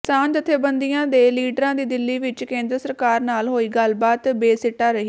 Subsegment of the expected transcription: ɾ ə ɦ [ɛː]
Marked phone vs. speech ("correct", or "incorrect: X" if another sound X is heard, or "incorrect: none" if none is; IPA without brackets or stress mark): incorrect: iː